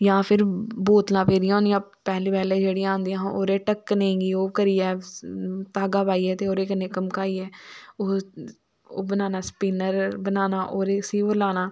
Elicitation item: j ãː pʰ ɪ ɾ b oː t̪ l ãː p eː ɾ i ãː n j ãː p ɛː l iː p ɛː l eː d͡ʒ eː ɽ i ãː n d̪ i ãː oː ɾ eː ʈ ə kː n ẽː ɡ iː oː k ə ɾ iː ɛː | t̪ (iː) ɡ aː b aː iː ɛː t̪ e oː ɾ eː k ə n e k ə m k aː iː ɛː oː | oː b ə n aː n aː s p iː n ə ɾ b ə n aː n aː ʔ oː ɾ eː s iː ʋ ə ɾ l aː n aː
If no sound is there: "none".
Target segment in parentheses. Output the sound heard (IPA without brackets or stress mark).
aː